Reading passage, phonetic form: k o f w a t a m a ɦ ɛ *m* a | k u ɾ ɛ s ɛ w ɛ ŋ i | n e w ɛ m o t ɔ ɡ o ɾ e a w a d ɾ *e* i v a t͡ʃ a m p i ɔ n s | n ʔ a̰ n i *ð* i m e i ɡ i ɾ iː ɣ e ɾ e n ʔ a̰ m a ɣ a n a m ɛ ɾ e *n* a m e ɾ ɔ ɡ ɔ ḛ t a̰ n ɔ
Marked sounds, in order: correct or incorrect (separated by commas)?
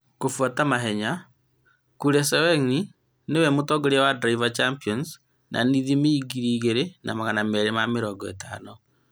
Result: incorrect, incorrect, correct, incorrect